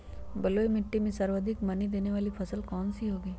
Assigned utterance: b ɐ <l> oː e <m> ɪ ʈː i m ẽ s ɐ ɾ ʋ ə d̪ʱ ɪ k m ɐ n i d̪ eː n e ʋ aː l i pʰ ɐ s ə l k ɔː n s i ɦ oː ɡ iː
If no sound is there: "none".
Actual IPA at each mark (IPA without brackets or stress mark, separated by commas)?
l, m